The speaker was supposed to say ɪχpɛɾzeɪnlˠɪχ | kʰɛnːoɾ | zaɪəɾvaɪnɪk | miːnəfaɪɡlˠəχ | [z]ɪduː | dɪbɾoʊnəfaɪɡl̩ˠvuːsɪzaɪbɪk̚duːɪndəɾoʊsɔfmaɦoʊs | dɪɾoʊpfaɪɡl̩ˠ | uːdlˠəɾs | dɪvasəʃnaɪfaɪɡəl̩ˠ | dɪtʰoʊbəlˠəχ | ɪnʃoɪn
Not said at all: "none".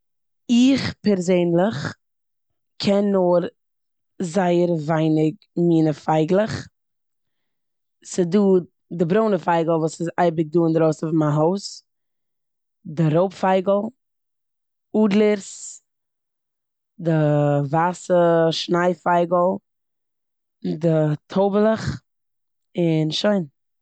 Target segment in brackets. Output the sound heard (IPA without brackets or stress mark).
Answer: s